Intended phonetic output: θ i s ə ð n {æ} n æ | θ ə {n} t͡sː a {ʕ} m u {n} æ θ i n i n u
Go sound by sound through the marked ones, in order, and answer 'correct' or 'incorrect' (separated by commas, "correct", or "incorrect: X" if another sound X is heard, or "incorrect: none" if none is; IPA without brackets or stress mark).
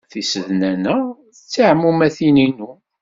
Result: correct, incorrect: none, correct, incorrect: m